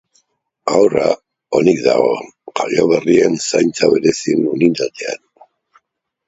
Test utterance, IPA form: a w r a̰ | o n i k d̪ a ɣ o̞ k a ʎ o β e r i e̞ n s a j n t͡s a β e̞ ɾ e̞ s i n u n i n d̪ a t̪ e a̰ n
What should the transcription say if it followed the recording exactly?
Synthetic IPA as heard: a w r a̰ | o n i k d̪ a ɣ o̞ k a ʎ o β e r i e̞ n s a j n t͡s a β e̞ ɾ e̞ s i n u n i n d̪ a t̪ e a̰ n